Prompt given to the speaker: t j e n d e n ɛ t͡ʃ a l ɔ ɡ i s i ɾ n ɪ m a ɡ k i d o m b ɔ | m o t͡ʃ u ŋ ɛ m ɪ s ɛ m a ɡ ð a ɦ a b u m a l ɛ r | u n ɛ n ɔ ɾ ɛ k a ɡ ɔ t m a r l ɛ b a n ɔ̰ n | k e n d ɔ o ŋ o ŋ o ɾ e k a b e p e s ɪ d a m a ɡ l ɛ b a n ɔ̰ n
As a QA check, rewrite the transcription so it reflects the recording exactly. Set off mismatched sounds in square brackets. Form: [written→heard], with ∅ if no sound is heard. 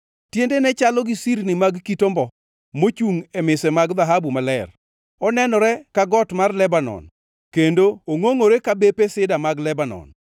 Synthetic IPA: t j e n d e n ɛ t͡ʃ a l ɔ ɡ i s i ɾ n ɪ m a ɡ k i [d→t] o m b ɔ | m o t͡ʃ u ŋ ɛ m ɪ s ɛ m a ɡ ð a ɦ a b u m a l ɛ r | [u→ɔ] n ɛ n ɔ ɾ ɛ k a ɡ ɔ t m a r l ɛ b a n ɔ̰ n | k e n d [ɔ→o] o ŋ o ŋ o ɾ e k a b e p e s ɪ d a m a ɡ l ɛ b a n ɔ̰ n